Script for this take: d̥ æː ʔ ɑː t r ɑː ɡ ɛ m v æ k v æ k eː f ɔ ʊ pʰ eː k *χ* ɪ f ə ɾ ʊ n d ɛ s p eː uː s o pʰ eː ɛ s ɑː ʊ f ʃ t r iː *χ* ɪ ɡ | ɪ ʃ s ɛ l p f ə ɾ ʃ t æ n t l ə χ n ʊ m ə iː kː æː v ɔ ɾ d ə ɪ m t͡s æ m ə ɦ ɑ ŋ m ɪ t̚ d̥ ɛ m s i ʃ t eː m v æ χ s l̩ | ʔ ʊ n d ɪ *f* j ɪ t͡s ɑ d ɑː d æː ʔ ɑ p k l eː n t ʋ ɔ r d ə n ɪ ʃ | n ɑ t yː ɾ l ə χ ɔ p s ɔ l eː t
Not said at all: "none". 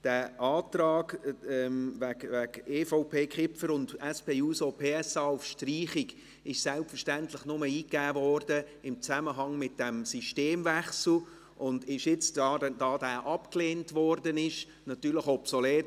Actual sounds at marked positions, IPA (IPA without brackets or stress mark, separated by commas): χ, χ, ʃ